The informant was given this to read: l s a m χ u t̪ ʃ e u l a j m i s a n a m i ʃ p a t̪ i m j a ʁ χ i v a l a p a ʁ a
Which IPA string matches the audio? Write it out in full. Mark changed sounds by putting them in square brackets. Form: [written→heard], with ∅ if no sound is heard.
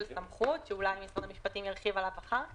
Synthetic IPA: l s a m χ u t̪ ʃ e u l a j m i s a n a m i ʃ p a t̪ i m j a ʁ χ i v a l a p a [ʁ→χ] a